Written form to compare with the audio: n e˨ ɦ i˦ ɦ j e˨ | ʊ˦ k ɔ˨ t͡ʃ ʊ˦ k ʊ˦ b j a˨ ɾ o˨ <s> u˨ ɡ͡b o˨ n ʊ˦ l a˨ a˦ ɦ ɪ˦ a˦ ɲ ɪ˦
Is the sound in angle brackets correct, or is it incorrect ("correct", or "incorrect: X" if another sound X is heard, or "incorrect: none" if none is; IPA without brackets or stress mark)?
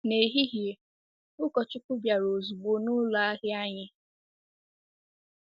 incorrect: z